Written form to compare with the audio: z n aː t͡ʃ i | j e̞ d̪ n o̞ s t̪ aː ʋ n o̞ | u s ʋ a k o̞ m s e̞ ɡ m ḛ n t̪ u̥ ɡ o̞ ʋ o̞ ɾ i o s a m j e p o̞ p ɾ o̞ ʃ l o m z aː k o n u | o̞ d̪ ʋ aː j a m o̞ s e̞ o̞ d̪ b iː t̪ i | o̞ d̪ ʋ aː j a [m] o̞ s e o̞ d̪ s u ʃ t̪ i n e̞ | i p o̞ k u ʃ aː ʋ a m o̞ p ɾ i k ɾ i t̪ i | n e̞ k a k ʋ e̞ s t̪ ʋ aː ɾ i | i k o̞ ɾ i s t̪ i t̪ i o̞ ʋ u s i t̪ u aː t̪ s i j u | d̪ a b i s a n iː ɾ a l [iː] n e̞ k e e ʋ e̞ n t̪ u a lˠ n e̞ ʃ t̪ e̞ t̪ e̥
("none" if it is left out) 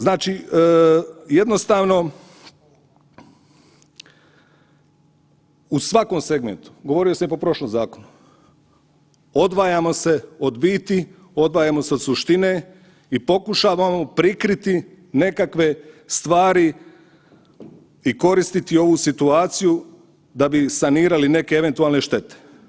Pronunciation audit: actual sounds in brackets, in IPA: m, i

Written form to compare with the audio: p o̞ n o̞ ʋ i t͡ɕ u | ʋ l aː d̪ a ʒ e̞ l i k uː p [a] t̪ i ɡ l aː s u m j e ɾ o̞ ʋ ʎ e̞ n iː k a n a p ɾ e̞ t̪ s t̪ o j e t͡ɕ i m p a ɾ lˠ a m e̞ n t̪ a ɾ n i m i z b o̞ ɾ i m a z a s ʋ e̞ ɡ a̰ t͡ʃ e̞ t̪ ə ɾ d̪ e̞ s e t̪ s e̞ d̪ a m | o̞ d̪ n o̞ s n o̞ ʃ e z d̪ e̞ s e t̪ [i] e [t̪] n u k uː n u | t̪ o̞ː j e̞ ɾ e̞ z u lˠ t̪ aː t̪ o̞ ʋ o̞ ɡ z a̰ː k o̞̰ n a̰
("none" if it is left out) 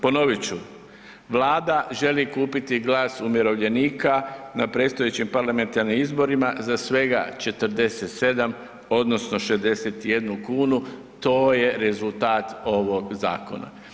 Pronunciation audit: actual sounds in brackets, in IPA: i, j, d̪

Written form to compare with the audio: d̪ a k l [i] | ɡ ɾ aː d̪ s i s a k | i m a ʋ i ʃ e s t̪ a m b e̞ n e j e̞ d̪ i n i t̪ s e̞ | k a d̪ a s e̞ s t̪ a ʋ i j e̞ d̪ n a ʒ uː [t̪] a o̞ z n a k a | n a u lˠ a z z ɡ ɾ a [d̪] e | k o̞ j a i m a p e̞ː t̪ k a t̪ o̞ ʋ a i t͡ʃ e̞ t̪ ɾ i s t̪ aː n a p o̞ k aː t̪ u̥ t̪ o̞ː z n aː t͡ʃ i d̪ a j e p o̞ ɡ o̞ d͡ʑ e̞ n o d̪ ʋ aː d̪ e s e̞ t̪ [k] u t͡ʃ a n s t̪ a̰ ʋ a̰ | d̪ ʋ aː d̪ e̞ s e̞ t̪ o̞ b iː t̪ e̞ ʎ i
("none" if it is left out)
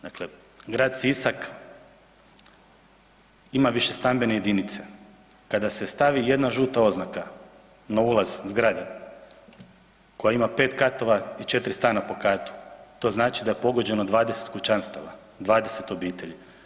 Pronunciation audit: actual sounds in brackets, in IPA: e, t̪, d̪, k

